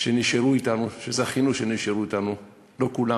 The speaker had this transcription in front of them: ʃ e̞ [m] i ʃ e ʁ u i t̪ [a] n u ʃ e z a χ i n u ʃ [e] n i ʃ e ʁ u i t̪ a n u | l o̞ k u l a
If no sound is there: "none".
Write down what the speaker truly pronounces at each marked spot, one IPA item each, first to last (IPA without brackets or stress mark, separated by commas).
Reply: n, a, e